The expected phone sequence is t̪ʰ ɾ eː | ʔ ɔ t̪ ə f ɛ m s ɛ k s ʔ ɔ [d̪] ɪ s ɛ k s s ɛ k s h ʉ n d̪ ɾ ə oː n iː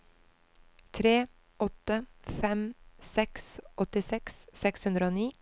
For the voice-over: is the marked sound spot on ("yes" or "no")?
no